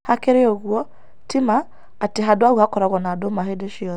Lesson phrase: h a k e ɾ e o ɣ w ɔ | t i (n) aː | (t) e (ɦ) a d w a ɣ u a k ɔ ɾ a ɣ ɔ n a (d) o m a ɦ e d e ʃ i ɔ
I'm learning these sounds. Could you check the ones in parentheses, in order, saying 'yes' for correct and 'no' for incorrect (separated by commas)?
no, yes, yes, yes